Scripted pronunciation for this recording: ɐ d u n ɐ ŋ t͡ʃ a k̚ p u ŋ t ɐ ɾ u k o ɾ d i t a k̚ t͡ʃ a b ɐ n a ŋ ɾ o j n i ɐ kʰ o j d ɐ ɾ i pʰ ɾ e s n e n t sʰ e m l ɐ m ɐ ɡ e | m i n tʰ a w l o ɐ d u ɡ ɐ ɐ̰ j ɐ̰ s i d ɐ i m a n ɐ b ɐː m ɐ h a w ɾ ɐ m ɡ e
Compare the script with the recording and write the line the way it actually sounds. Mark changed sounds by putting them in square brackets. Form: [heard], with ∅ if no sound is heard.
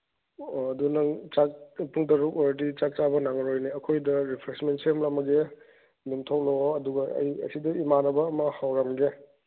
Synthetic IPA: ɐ d u n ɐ ŋ t͡ʃ a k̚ p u ŋ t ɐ ɾ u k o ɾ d i [t͡ʃ] a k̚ t͡ʃ a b ɐ n a ŋ ɾ o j n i ɐ kʰ o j d ɐ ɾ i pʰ ɾ e s [m] e n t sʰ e m l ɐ m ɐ ɡ e | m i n tʰ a w l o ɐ d u ɡ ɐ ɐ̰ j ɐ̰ s i d ɐ i m a n ɐ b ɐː m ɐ h a w ɾ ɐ m ɡ e

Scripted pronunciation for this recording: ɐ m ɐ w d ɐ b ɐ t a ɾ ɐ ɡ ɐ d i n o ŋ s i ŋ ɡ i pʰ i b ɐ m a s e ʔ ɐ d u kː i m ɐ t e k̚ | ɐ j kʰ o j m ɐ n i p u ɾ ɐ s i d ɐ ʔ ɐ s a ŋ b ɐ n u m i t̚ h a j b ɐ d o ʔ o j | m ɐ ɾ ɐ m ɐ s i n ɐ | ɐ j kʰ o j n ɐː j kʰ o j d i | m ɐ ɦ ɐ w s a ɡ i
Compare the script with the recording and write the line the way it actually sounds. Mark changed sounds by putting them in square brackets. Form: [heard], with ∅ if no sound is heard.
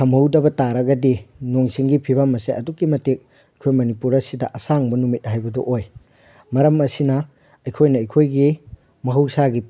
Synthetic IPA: ɐ m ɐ w d ɐ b ɐ t a ɾ ɐ ɡ ɐ d i n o ŋ s i ŋ ɡ i pʰ i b ɐ m [ɐ] s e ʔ ɐ d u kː i m ɐ t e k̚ | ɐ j kʰ o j m ɐ n i p u ɾ ɐ s i d ɐ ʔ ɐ s a ŋ b ɐ n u m i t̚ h a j b ɐ d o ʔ o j | m ɐ ɾ ɐ m ɐ s i n ɐ | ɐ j kʰ o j n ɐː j kʰ o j [ɡ] i | m ɐ ɦ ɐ w s a ɡ i

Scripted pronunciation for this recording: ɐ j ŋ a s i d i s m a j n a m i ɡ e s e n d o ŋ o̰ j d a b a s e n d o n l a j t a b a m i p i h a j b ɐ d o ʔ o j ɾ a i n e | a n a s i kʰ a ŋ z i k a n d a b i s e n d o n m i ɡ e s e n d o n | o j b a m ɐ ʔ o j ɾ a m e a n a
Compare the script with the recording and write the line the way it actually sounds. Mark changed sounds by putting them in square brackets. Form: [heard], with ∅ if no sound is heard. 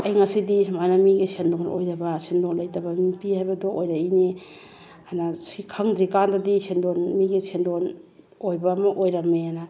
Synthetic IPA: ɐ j ŋ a s i d i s m a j n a m i ɡ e s e n d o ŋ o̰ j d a b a s e n d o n l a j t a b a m i p i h a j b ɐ d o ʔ o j ɾ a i n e | a n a s i kʰ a ŋ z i k a n d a [d] i s e n d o n m i ɡ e s e n d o n | o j b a m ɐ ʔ o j ɾ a m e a n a

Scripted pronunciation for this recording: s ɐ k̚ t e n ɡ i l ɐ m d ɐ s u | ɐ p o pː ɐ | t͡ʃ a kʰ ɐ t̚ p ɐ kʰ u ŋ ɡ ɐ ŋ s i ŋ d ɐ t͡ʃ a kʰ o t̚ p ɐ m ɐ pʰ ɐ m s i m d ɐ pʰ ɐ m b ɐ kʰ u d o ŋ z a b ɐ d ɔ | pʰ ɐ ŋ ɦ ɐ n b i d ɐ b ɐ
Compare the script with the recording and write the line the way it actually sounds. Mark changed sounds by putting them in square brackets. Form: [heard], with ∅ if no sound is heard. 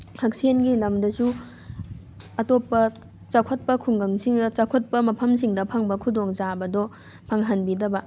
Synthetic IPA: [h] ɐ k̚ [s] e n ɡ i l ɐ m d ɐ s u | ɐ [t] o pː ɐ | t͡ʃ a kʰ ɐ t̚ p ɐ kʰ u ŋ ɡ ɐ ŋ s i ŋ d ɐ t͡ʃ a kʰ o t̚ p ɐ m ɐ pʰ ɐ m s i [ŋ] d ɐ pʰ ɐ [ŋ] b ɐ kʰ u d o ŋ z a b ɐ d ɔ | pʰ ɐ ŋ ɦ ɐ n b i d ɐ b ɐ

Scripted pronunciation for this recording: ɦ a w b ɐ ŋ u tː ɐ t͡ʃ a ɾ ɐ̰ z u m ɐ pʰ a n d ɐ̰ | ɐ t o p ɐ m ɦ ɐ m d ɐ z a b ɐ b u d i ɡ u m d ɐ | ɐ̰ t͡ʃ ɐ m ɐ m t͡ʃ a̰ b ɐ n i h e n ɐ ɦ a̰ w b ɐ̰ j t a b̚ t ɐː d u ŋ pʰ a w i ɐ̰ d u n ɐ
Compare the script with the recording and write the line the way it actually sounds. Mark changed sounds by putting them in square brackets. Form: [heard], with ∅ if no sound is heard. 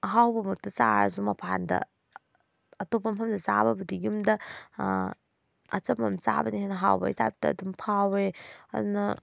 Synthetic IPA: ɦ a w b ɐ [m] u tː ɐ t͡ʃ a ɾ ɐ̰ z u m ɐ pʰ a n d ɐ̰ | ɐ t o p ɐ m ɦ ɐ m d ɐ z a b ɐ b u d i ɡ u m d ɐ | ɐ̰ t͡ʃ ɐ m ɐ m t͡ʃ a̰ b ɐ n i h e n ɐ ɦ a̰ w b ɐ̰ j t a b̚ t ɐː d u [m] pʰ a w [e] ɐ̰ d u n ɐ

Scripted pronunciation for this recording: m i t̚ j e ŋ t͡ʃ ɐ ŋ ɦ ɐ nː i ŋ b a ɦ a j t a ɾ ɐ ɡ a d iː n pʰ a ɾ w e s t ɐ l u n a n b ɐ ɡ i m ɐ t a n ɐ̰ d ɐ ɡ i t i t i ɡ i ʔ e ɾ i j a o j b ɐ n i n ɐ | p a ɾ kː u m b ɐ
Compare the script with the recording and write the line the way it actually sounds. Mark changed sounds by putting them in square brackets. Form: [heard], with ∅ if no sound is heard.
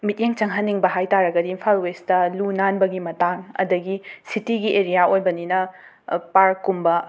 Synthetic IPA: m i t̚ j e ŋ t͡ʃ ɐ ŋ ɦ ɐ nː i ŋ b [ɐ] ɦ a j t a ɾ ɐ ɡ [ɐ] d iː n pʰ a [l] w e s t ɐ l u n a n b ɐ ɡ i m ɐ t a [ŋ] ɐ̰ d ɐ ɡ i [s] i t i ɡ i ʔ e ɾ i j a o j b ɐ n i n ɐ | p a ɾ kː u m b ɐ

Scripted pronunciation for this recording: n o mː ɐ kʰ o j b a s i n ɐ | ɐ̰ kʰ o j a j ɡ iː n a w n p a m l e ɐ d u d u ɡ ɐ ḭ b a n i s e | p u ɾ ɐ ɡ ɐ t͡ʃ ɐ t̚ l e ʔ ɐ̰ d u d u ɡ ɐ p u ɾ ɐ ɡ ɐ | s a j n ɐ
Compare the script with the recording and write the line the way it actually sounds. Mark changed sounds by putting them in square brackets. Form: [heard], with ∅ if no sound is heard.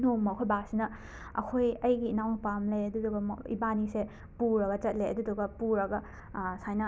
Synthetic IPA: n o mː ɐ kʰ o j b a s i n ɐ | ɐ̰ kʰ o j [ɐ] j ɡ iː n a w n p a m l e ɐ d u d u ɡ ɐ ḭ b a n i s e | p u ɾ ɐ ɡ ɐ t͡ʃ ɐ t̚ l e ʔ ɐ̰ d u d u ɡ ɐ p u ɾ ɐ ɡ ɐ | s a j n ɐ

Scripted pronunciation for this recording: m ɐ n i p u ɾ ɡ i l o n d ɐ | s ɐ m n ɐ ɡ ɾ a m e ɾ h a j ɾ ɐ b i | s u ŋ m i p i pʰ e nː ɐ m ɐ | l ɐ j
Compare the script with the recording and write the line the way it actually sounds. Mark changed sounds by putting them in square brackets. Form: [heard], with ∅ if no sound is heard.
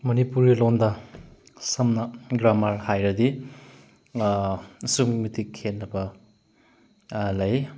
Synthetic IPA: m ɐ n i p u ɾ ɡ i l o n d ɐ | s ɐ m n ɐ ɡ ɾ a m [a] ɾ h a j ɾ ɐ [d] i | s u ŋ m i [t] i [kʰ] e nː ɐ [b] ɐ | l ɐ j

